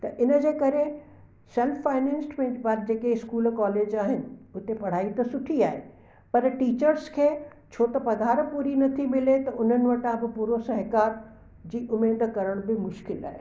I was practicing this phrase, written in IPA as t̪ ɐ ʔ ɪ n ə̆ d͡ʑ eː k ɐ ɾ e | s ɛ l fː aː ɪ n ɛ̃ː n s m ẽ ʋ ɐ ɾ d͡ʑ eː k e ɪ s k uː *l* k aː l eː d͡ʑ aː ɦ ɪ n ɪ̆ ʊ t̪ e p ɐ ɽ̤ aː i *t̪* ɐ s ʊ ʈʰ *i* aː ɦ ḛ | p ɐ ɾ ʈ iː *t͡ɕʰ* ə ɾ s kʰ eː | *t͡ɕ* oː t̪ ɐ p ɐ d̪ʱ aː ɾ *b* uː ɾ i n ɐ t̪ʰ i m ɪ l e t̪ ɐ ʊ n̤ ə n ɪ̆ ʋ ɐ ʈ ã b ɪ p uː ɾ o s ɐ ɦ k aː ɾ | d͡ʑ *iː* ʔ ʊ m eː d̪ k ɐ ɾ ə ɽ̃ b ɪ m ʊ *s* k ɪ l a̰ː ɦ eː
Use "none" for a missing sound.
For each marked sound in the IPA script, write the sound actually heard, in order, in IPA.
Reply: l, t̪, i, t͡ɕ, t͡ɕʰ, p, iː, ʃ

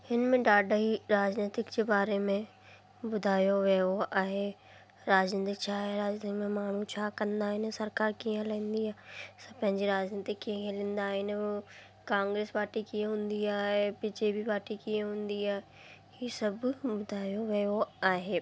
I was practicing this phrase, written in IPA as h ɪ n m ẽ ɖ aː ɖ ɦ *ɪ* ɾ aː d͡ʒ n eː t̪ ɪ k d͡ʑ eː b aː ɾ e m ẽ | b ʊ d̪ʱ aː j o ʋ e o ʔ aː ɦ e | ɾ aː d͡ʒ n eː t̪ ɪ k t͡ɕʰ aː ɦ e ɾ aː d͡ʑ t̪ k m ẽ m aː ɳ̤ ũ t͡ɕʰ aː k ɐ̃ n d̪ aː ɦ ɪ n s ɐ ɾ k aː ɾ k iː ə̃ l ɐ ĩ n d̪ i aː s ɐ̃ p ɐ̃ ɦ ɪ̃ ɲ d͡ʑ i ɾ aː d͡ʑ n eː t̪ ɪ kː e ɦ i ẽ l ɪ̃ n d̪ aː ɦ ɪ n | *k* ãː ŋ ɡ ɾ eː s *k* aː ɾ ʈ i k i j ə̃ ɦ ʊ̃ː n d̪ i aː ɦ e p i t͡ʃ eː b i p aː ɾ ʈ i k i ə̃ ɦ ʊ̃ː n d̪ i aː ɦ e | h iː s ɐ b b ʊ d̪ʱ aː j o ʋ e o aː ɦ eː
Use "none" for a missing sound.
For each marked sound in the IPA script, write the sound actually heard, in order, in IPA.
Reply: i, k, p

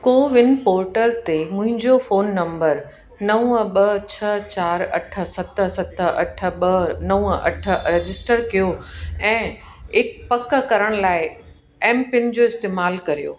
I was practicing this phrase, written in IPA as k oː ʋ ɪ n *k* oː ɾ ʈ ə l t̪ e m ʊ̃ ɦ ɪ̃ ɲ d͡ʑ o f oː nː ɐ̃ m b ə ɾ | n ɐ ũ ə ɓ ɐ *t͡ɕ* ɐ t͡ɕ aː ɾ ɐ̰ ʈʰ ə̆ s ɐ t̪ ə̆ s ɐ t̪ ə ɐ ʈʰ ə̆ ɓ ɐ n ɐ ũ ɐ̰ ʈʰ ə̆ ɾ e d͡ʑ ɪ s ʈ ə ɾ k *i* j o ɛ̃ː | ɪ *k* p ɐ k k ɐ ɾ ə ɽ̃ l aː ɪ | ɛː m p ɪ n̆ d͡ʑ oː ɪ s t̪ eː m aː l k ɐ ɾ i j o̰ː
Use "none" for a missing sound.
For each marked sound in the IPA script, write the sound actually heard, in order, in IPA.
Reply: p, t͡ɕʰ, i, k

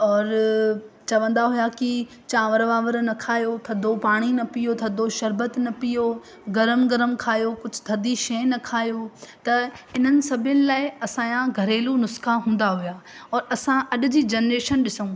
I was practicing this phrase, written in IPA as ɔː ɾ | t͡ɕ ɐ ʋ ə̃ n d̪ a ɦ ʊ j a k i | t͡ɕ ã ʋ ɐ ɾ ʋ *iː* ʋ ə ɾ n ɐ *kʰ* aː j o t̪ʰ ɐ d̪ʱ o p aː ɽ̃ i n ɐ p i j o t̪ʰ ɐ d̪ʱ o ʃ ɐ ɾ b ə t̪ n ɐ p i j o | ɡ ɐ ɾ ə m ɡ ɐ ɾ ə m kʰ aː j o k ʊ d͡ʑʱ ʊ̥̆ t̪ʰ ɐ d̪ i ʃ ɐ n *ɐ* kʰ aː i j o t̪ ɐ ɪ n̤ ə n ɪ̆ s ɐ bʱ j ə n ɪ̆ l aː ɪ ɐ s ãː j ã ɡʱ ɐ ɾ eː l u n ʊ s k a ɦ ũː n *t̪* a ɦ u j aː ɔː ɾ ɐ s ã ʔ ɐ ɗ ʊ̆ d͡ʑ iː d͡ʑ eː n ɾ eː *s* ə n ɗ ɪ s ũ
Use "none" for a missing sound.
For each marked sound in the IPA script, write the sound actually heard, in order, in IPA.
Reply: aː, kʰ, ɐ, d̪, ʃ

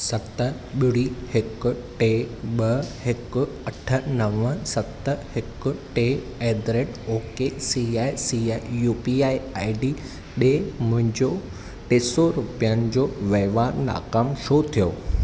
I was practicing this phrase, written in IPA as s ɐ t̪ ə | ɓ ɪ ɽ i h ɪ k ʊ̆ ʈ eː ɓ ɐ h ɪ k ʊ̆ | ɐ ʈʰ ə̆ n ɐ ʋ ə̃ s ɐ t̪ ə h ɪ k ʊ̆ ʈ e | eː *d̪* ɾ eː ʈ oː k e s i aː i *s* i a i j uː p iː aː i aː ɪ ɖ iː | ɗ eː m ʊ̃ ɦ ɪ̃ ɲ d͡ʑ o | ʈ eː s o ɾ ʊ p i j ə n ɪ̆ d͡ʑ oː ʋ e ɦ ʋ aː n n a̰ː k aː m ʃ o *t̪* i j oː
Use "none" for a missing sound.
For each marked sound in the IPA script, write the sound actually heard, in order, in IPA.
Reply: d̪, s, t̪ʰ

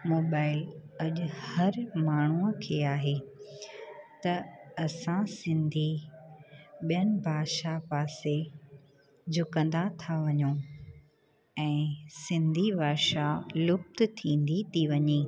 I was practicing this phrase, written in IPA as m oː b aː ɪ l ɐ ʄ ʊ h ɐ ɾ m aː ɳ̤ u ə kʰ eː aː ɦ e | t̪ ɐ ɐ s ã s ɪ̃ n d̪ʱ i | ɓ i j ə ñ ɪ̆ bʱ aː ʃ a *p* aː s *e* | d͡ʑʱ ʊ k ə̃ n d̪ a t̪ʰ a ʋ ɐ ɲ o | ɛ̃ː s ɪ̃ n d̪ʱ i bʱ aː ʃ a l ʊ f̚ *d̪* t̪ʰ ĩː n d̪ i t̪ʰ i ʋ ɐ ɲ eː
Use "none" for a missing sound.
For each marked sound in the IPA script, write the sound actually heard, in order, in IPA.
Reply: p, e, t̪

